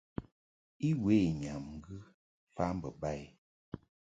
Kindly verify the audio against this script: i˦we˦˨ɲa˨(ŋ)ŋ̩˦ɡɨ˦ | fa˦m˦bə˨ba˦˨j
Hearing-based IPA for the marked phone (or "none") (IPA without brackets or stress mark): m